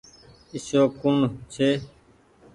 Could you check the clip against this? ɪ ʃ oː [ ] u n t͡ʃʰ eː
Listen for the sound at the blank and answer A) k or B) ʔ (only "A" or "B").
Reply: A